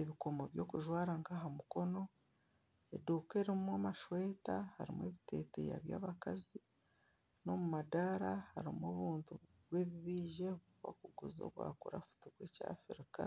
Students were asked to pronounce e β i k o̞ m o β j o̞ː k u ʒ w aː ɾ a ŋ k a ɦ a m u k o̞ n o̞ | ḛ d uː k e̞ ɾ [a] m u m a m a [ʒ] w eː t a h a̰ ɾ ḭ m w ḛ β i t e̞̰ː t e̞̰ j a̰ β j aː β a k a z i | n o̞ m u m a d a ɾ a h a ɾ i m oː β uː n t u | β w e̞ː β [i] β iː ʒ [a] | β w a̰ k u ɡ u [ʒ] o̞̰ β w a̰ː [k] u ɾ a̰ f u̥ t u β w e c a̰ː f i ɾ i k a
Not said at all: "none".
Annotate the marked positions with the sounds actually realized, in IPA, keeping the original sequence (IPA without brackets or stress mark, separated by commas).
i, ʃ, i, e, z, k